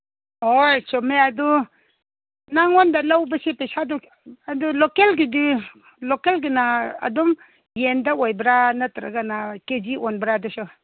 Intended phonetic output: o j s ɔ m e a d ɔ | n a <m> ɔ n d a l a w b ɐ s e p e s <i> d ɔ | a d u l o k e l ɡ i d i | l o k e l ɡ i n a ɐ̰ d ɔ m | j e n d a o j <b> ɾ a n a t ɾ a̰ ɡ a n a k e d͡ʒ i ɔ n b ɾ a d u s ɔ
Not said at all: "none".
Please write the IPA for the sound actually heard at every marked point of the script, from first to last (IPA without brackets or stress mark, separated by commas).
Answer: ŋ, a, b